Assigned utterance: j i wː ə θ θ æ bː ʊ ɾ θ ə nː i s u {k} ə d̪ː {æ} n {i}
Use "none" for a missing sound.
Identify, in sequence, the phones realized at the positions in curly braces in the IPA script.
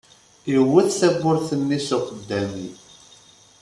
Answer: q, æ, i

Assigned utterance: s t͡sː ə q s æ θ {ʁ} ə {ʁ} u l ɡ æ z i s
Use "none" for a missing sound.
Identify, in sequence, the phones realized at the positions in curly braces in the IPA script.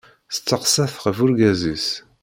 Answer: ʁ, v

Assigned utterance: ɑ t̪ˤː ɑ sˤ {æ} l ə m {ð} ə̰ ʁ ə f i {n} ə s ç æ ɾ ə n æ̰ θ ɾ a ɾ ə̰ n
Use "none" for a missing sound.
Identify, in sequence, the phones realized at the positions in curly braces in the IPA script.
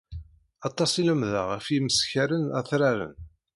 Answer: i, ð, m

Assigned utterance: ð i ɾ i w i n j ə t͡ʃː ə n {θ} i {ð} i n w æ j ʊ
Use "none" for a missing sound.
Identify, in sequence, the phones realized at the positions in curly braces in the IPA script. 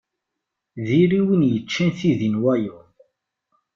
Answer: θ, ð

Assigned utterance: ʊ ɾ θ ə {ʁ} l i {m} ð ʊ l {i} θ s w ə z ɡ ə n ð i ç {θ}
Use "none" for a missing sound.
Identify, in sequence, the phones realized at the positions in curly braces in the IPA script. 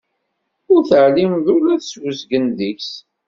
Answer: ʕ, m, æ, s

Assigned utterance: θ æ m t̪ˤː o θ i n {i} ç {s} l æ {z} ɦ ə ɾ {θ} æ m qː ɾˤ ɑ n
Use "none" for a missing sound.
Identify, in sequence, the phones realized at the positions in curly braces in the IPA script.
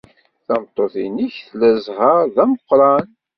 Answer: i, θ, z, ð

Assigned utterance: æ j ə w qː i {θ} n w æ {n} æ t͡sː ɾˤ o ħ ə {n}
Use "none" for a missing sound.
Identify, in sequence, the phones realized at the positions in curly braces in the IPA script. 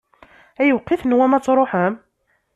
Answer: θ, m, m

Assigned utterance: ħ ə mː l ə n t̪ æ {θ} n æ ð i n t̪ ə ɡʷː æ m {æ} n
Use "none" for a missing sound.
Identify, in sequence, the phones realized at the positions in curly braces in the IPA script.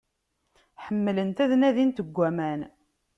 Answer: ð, æ

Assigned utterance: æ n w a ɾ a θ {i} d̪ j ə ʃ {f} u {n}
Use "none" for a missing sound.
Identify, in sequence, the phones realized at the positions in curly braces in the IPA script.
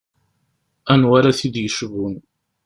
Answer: i, v, n

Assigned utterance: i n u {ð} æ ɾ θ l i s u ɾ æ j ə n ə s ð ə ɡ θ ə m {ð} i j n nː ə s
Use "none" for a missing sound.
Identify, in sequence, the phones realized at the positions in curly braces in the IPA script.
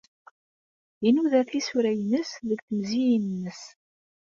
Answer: ð, z

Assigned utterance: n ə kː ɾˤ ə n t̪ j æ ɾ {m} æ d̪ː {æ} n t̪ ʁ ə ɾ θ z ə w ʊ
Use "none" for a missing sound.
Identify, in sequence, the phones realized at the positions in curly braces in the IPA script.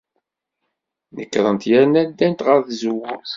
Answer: n, æ

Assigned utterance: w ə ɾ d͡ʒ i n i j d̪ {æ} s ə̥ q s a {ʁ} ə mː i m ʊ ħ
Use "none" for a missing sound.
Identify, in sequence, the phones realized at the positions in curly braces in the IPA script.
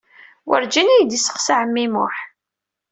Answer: i, ʕ

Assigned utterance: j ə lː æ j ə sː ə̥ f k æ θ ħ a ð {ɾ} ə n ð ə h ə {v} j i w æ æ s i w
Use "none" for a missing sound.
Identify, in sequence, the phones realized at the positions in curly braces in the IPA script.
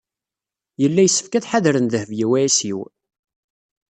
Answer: ɾ, v

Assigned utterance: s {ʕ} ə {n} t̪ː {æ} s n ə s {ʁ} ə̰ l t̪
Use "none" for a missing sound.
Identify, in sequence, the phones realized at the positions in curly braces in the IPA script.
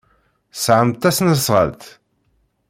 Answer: ʕ, m, æ, ʁ

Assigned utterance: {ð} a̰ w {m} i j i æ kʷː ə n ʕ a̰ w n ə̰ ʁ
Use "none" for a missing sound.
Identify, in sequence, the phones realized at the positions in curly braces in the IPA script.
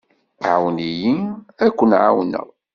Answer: ʕ, n

